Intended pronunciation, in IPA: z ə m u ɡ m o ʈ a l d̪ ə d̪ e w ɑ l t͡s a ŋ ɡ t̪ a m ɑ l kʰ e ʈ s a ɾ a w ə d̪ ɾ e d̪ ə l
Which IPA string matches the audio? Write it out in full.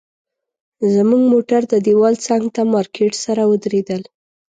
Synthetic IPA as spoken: z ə m u ɡ m o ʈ a ɾ d̪ ə d̪ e w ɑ l t͡s a ŋ ɡ t̪ a m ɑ ɾ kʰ e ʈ s a ɾ a w ə d̪ ɾ e d̪ ə l